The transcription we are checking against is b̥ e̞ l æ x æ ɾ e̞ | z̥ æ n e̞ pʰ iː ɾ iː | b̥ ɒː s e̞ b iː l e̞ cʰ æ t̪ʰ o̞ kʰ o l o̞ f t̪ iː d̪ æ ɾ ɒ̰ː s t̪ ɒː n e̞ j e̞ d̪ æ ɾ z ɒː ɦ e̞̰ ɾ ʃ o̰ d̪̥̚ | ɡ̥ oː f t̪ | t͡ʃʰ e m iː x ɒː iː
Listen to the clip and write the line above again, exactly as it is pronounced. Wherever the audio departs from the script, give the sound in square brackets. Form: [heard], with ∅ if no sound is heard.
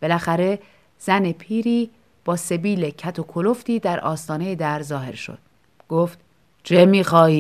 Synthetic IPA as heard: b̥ e̞ l æ x æ ɾ e̞ | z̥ æ n e̞ pʰ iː ɾ iː | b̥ ɒː s e̞ b iː l e̞ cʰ æ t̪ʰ o̞ kʰ o l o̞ f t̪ iː d̪ æ ɾ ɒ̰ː s t̪ ɒː n e̞ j e̞ d̪ æ ɾ z ɒː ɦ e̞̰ ɾ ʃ o̰ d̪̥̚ | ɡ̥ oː f t̪ | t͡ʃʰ e m iː x ɒː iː